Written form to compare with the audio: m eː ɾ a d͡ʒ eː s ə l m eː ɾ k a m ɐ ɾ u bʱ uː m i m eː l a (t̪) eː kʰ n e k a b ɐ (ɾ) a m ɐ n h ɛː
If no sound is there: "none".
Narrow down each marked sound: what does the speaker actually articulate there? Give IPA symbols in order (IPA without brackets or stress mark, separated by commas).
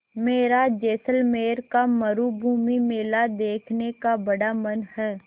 d̪, ɽ